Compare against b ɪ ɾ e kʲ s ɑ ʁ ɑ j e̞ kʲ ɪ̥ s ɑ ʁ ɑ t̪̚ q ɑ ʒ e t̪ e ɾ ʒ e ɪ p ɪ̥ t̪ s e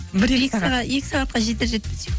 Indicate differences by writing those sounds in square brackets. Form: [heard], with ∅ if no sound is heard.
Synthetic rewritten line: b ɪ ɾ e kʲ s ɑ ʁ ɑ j e̞ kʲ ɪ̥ s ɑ ʁ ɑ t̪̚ q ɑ ʒ e t̪ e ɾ ʒ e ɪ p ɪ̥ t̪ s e